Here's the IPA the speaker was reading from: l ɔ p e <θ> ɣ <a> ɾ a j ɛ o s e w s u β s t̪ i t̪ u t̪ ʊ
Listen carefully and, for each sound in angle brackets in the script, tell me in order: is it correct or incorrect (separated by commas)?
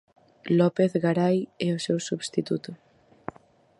correct, correct